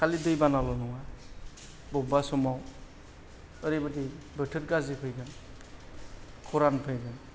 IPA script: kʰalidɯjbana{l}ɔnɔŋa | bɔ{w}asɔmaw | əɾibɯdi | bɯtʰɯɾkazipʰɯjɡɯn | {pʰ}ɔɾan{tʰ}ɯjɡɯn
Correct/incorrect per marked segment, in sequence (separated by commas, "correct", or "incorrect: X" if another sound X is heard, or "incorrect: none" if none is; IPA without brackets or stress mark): correct, incorrect: b, incorrect: kʰ, incorrect: pʰ